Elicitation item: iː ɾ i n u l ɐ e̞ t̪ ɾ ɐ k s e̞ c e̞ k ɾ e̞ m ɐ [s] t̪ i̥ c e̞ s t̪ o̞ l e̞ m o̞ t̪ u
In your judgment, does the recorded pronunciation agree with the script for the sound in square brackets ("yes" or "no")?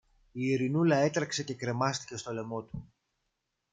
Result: yes